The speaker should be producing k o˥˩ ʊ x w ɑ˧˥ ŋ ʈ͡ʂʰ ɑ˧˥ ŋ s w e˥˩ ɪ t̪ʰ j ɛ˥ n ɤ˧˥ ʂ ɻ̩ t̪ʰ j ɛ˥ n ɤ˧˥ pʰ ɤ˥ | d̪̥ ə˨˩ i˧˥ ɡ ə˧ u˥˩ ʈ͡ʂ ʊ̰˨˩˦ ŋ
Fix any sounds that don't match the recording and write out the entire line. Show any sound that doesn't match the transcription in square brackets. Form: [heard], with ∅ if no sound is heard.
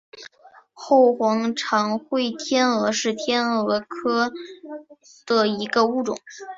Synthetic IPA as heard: [x] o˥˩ ʊ x w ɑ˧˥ ŋ ʈ͡ʂʰ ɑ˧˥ ŋ [x] w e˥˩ ɪ t̪ʰ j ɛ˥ n ɤ˧˥ ʂ ɻ̩ t̪ʰ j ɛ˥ n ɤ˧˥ [kʰ] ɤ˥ | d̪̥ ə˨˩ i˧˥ ɡ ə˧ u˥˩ ʈ͡ʂ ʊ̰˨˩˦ ŋ